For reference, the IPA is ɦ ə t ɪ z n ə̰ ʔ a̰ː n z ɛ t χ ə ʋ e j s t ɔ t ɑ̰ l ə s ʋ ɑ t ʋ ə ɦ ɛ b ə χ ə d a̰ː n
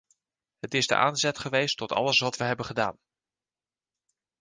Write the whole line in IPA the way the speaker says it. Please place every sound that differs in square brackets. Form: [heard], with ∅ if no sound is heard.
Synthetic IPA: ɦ ə t ɪ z [d] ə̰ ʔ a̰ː n z ɛ t χ ə ʋ e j s t ɔ t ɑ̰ l ə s ʋ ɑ t ʋ ə ɦ ɛ b ə χ ə d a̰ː n

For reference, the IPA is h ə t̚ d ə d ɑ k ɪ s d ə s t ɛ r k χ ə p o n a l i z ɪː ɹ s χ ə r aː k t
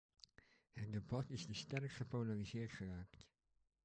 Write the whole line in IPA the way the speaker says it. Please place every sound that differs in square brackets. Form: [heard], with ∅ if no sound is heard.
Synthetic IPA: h ə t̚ d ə [b] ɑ [t] ɪ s d ə s t ɛ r k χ ə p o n a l i z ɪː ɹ [t] χ ə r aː k t

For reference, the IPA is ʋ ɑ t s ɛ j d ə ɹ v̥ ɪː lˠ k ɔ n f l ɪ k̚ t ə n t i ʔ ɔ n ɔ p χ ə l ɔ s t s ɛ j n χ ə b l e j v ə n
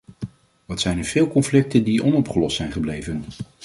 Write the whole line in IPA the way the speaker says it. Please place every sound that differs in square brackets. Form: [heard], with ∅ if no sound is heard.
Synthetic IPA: ʋ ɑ t s ɛ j [n] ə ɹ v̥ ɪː lˠ k ɔ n f l ɪ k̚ t ə n [d] i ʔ ɔ n ɔ p χ ə l ɔ s t s ɛ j n χ ə b l e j v ə n

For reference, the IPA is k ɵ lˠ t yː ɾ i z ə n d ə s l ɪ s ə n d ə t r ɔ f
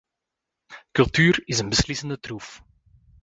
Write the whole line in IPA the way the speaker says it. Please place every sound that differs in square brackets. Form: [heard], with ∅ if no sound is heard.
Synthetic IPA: k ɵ lˠ t yː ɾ [ɪ] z ə n [b] ə s l ɪ s ə n d ə t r [u] f

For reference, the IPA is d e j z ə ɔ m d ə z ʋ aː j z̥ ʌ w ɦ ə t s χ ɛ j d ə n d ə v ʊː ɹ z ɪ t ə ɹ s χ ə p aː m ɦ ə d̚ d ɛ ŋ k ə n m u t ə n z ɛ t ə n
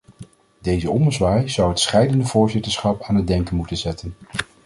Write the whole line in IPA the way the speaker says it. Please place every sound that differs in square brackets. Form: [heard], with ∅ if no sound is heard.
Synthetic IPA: d e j z ə ɔ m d ə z ʋ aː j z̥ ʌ w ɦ ə t s χ ɛ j d ə n d ə v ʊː ɹ z ɪ t ə ɹ s χ [ɑ] p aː [n] ɦ ə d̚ d ɛ ŋ k ə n m u t ə n z ɛ t ə n

